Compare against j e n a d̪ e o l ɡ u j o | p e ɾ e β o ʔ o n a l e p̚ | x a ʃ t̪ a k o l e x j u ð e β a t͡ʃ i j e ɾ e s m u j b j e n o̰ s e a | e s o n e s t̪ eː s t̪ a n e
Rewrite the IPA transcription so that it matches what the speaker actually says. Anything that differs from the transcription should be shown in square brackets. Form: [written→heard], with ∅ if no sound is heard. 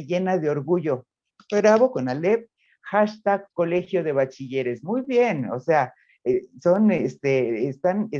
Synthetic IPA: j e n a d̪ e o [l→ɾ] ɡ u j o | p e ɾ [e→a] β o [ʔ→k] o n a l e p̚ | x a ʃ t̪ a k o l e x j [u→o] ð e β a t͡ʃ i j e ɾ e s m u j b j e n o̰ s e a | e s o n e s t̪ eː s t̪ a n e

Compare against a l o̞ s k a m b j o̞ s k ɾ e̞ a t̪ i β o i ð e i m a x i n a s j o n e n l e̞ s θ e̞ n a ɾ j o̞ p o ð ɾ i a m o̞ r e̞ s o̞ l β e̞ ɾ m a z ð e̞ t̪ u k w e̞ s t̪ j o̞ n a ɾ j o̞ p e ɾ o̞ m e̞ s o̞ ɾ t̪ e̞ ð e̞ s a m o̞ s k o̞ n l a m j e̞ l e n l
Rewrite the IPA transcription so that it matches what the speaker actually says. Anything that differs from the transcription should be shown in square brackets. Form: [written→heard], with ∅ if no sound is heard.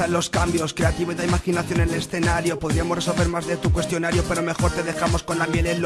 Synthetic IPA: a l o̞ s k a m b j o̞ s k ɾ e̞ a t̪ i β o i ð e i m a x i n a [s→θ] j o n e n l e̞ s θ e̞ n a ɾ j o̞ p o ð ɾ i a m o̞ r e̞ s o̞ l β e̞ ɾ m a z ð e̞ t̪ u k w e̞ s t̪ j o̞ n a ɾ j o̞ p e ɾ o̞ m e̞ [s→x] o̞ ɾ t̪ e̞ ð e̞ [s→x] a m o̞ s k o̞ n l a m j e̞ l e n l

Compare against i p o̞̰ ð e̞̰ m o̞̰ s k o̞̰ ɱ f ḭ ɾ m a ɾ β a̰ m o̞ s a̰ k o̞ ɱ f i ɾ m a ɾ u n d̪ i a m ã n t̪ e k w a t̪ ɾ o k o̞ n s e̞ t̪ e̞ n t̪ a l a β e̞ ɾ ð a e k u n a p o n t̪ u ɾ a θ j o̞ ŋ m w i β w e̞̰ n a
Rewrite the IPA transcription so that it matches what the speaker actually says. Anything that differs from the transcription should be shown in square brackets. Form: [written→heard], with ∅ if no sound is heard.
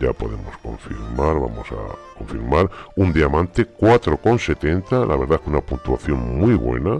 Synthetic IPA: [i→a] p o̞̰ ð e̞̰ m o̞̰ s k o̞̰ ɱ f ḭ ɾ m a ɾ β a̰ m o̞ s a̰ k o̞ ɱ f i ɾ m a ɾ u n d̪ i a m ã n t̪ e k w a t̪ ɾ o k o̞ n s e̞ t̪ e̞ n t̪ a l a β e̞ ɾ ð a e k u n a p [o→u] n t̪ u [ɾ→∅] a θ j o̞ ŋ m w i β w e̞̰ n a

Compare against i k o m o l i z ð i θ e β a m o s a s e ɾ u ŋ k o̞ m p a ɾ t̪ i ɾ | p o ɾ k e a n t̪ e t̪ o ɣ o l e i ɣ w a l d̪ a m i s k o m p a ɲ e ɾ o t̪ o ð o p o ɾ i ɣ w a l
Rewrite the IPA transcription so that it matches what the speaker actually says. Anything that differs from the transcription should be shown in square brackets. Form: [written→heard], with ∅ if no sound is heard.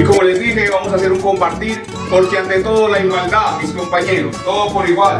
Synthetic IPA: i k o m o l [i→e] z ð i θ e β a m o s a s e ɾ u ŋ k o̞ m p a ɾ t̪ i ɾ | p o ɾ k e a n t̪ e t̪ o [ɣ→ð] o l [e→a] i ɣ w a l d̪ a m i s k o m p a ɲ e ɾ o t̪ o ð o p o ɾ i ɣ w a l

